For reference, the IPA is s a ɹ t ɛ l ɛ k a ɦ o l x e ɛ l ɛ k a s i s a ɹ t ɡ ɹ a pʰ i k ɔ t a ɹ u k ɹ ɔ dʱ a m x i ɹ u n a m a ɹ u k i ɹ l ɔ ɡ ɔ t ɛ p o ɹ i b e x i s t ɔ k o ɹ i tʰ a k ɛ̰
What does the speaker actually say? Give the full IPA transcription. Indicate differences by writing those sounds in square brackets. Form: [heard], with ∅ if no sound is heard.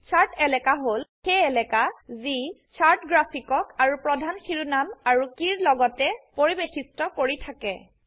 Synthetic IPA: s a ɹ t ɛ l ɛ k a ɦ o l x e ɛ l ɛ k a [z] i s a ɹ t ɡ ɹ a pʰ i k ɔ [k] a ɹ u [p] ɹ ɔ dʱ a [n] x i ɹ u n a m a ɹ u k i ɹ l ɔ ɡ ɔ t ɛ p o ɹ i b e x i s t ɔ k o ɹ i tʰ a k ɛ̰

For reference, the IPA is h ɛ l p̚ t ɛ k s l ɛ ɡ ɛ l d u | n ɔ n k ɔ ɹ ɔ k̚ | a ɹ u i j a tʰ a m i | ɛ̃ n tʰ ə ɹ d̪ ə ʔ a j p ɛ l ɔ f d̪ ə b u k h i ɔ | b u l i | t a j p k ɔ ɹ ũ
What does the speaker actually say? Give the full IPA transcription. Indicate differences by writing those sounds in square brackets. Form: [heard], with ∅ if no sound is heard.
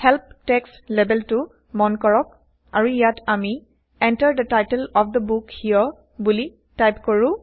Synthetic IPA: h ɛ l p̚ t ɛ k s l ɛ [b] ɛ l [t] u | [m] ɔ n k ɔ ɹ ɔ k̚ | a ɹ u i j a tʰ a m i | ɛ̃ n [t] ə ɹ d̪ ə [t] a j [t] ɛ l ɔ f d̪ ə b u k h i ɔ | b u l i | t a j p k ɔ ɹ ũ

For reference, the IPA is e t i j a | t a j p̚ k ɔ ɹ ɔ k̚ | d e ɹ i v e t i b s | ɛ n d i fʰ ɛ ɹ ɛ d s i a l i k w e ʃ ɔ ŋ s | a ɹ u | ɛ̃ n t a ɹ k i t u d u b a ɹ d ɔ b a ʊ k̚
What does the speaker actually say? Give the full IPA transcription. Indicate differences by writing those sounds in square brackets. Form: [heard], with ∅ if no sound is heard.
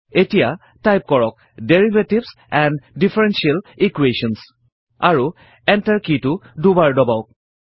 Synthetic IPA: e t i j a | t a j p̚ k ɔ ɹ ɔ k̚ | d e ɹ i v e t i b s | ɛ n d i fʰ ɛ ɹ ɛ [n] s i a l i k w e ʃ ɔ [n] s | a ɹ u | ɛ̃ n t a ɹ k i t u d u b a ɹ d ɔ b a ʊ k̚

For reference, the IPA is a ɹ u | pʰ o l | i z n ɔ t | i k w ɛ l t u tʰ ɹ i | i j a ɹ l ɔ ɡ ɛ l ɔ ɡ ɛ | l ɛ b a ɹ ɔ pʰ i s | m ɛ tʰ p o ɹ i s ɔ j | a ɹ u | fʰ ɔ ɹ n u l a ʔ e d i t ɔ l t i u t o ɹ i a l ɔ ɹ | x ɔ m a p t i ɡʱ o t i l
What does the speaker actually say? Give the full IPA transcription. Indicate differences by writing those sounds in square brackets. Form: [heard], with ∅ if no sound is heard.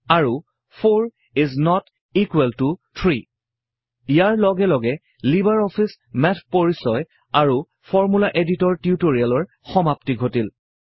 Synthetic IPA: a ɹ u | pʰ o [ɹ] | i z n ɔ t | i k w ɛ l t u tʰ ɹ i | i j a ɹ l ɔ ɡ ɛ l ɔ ɡ ɛ | l [i] b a ɹ ɔ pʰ i s | m ɛ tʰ p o ɹ i s ɔ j | a ɹ u | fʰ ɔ ɹ [m] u l a ʔ e d i t ɔ [ɹ] t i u t o ɹ i a l ɔ ɹ | x ɔ m a p t i ɡʱ o t i l

